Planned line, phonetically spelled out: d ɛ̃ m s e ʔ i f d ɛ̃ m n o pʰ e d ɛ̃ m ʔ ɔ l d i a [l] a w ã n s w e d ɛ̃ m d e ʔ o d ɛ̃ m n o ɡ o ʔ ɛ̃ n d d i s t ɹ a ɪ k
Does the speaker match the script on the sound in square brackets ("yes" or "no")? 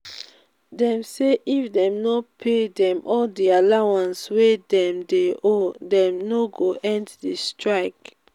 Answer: yes